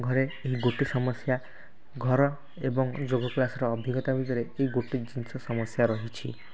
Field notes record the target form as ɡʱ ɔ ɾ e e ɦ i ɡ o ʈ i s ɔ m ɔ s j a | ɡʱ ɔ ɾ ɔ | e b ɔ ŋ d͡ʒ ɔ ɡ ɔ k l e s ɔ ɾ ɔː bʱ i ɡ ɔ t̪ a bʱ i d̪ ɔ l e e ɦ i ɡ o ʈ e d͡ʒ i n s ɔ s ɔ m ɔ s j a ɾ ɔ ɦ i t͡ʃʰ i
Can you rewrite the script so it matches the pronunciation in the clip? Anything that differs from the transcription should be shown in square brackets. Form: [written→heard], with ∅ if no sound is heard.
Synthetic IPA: ɡʱ ɔ ɾ e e ɦ i ɡ o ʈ i s ɔ m ɔ s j a | ɡʱ ɔ ɾ ɔ | e b ɔ ŋ d͡ʒ [ɔ→o] ɡ ɔ k l [e→a] s ɔ ɾ ɔː bʱ i ɡ ɔ t̪ a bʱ i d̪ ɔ [l→ɾ] e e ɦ i ɡ o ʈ [e→i] d͡ʒ i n s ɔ s ɔ m ɔ s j a ɾ ɔ ɦ i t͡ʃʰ i